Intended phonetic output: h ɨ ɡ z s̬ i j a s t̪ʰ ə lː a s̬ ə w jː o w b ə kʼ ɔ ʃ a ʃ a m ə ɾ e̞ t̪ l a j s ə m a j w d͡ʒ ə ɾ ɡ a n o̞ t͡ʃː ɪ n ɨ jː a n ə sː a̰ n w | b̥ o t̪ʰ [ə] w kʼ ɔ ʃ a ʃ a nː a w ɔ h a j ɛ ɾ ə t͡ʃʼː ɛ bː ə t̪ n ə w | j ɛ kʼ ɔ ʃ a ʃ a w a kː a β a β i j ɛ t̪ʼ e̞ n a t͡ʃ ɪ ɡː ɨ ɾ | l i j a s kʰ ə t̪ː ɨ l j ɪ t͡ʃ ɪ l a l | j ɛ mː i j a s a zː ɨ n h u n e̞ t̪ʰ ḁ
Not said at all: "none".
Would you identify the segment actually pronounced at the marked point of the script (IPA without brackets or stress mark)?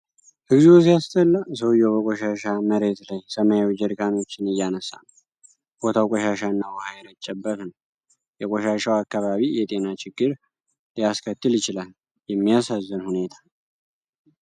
a